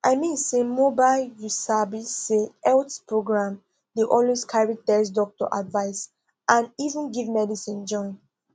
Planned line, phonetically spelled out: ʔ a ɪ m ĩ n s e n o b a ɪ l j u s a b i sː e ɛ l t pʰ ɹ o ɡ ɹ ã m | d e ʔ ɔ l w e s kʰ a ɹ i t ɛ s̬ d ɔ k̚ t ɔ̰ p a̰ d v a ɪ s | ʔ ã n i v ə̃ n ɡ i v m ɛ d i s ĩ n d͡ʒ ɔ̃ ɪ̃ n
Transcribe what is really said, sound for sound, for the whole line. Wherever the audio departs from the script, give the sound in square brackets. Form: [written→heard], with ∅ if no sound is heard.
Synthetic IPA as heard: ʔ a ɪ m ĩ n s e [n→m] o b a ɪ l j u s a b i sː e ɛ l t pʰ ɹ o ɡ ɹ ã m | d e ʔ ɔ l w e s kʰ a ɹ i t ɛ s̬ d ɔ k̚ t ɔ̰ [p→ʔ] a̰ d v a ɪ s | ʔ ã n i v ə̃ n ɡ i v m ɛ d i s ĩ n d͡ʒ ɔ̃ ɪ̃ n

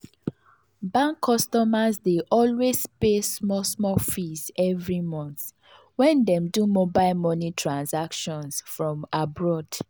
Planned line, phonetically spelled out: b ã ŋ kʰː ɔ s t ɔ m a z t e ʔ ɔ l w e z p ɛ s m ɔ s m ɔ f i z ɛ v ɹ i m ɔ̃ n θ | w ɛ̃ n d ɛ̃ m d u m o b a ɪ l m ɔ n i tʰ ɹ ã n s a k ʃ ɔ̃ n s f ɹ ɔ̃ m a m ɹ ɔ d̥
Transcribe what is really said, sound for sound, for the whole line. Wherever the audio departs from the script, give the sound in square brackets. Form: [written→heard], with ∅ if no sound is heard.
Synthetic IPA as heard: b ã ŋ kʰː ɔ s t ɔ m a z [t→d] e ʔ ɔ l w e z p [ɛ→e] s m ɔ s m ɔ f i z ɛ v ɹ i m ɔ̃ n θ | w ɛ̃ n d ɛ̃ m d u m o b a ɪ l m ɔ n i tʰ ɹ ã n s a k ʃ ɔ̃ n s f ɹ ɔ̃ m a [m→b] ɹ ɔ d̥

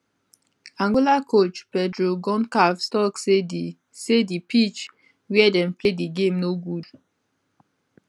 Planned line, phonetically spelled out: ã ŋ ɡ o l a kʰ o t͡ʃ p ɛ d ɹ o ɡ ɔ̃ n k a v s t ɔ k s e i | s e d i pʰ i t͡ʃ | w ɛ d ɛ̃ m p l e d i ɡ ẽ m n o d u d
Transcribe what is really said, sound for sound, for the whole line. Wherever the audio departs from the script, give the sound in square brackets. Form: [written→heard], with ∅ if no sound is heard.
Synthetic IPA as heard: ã ŋ ɡ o l a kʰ o t͡ʃ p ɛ d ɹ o ɡ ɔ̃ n k a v s t ɔ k s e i | s e d i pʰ i t͡ʃ | w ɛ d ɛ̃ m p l e d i ɡ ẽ m n o [d→ɡ] u d

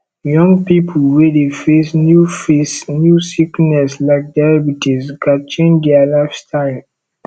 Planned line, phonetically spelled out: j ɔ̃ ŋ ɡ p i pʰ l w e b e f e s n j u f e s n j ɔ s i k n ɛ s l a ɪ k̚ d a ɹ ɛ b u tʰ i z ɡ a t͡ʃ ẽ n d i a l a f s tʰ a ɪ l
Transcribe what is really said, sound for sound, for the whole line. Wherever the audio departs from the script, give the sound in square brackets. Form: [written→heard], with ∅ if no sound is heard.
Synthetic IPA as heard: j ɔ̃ ŋ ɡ p i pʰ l w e [b→d] e f e s n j u f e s n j [ɔ→u] s i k n ɛ s l a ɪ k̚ d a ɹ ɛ b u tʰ i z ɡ a t͡ʃ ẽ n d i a l a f s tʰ a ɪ l

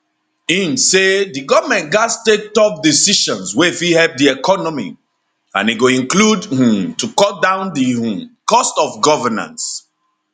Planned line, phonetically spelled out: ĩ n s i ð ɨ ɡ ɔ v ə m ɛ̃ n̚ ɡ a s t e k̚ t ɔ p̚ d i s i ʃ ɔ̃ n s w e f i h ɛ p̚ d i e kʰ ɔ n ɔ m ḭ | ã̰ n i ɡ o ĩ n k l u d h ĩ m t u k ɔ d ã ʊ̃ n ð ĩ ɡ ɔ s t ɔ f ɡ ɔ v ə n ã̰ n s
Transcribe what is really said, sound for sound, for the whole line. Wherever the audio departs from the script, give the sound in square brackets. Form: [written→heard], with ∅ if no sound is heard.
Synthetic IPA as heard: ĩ n s [i→e] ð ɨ ɡ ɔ v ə m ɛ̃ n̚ ɡ a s t e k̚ t ɔ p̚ d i s i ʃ ɔ̃ n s w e f i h ɛ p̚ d i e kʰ ɔ n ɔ m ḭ | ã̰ n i ɡ o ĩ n k l u d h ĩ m t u k ɔ d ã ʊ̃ n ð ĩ [ɡ→k] ɔ s t ɔ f ɡ ɔ v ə n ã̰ n s

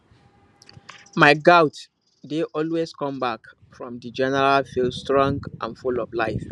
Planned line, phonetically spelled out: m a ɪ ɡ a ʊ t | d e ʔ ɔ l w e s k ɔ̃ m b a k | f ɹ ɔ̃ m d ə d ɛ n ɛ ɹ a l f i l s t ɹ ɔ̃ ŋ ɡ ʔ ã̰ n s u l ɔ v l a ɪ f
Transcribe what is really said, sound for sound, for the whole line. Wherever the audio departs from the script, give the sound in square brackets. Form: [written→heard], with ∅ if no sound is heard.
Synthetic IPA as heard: m a ɪ ɡ a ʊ t | d e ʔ ɔ l w e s k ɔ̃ m b a k | f ɹ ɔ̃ m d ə [d→d͡ʒ] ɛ n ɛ ɹ a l f i l s t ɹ ɔ̃ ŋ ɡ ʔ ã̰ n [s→f] u l ɔ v l a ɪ f

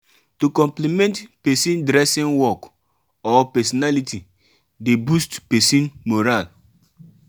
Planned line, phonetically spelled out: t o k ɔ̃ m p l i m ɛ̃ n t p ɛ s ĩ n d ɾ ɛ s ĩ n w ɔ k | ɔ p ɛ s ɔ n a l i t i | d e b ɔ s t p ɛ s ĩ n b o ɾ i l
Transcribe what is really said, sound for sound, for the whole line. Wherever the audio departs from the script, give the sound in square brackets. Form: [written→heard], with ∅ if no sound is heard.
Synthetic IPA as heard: t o k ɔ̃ m p l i m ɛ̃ n t p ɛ s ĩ n d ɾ ɛ s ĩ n w ɔ k | ɔ p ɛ s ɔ n a l i t i | d e b [ɔ→u] s t p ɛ s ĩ n [b→m] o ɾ [i→a] l

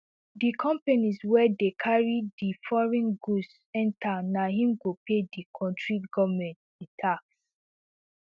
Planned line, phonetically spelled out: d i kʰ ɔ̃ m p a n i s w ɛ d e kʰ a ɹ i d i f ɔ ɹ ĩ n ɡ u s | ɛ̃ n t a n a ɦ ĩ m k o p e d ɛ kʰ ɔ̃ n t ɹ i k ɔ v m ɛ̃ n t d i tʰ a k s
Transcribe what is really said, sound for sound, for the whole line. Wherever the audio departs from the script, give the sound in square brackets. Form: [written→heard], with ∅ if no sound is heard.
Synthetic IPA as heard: d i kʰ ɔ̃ m p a n i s w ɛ d e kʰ a ɹ i d i f ɔ ɹ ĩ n ɡ u s | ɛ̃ n t a n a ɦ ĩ m [k→ɡ] o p e d [ɛ→i] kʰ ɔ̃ n t ɹ i [k→ɡ] ɔ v m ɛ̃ n t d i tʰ a k s

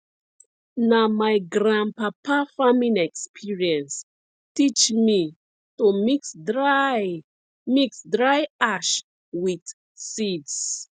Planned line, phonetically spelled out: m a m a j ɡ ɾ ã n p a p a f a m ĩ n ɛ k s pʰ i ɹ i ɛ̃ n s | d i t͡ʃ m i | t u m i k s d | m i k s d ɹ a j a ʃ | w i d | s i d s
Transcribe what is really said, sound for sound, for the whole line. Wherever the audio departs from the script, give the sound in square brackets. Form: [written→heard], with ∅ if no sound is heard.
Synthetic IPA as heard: [m→n] a m a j ɡ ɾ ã n p a p a f a m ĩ n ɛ k s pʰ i ɹ i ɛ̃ n s | [d→t] i t͡ʃ m i | t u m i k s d | m i k s d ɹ a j a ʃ | w i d | s i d s

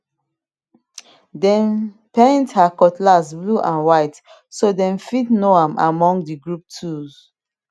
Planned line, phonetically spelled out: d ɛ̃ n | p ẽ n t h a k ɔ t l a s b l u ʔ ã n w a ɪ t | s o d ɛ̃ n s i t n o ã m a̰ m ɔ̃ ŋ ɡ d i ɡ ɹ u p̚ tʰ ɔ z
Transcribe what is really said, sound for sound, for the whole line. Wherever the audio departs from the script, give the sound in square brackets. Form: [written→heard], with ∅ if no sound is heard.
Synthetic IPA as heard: d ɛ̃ n | p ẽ n t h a k ɔ t l a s b l u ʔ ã n w a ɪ t | s o d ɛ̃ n [s→f] i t n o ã m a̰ m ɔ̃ ŋ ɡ d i ɡ ɹ u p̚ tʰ [ɔ→u] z

